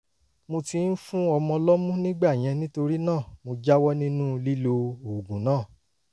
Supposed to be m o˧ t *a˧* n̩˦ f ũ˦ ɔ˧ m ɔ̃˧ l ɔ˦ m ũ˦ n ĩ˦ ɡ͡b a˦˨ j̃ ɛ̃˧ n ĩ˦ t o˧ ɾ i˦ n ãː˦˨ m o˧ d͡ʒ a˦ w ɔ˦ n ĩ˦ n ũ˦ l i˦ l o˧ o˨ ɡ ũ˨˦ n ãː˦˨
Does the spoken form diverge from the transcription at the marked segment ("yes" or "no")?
yes